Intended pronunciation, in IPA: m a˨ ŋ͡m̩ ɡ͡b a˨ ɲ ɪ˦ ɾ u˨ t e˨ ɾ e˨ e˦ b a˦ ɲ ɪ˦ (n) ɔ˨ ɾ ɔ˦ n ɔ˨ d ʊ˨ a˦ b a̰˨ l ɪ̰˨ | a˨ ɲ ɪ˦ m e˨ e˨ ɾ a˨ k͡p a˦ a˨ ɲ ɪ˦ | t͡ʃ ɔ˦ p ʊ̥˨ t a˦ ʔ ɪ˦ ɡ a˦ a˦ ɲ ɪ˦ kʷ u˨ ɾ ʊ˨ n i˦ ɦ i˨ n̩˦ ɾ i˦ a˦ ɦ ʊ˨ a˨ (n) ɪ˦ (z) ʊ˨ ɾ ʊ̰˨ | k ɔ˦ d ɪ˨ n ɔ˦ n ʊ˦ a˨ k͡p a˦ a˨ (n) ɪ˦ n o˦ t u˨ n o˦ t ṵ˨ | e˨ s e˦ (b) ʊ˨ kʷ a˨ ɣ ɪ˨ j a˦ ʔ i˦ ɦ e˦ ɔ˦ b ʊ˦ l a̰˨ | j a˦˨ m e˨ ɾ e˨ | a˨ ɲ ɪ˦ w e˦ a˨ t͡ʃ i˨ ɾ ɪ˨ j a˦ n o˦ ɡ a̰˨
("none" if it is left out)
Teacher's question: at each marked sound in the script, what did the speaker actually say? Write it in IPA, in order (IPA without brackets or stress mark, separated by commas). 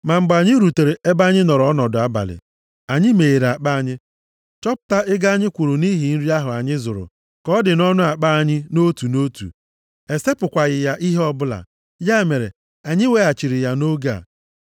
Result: n, ɲ, z, ɲ, p